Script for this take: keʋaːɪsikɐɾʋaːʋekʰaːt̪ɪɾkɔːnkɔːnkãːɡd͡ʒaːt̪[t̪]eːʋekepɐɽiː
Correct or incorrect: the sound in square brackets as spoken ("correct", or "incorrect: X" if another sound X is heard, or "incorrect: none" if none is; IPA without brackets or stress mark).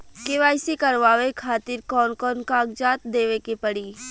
incorrect: d̪